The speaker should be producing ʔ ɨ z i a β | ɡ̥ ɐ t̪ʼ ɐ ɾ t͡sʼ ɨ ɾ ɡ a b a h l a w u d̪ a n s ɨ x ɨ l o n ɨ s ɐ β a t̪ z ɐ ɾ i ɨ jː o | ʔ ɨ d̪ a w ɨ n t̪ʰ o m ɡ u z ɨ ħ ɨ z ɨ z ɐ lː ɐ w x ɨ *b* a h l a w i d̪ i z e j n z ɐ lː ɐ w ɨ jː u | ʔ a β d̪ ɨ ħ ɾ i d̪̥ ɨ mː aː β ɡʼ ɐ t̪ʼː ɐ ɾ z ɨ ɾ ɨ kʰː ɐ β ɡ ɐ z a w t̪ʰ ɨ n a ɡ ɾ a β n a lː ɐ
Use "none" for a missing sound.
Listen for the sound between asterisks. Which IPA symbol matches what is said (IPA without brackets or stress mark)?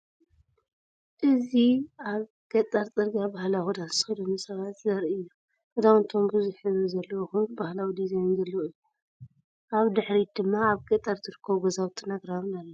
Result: b